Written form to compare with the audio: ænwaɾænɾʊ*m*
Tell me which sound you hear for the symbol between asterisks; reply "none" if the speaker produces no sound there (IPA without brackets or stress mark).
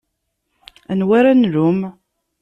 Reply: m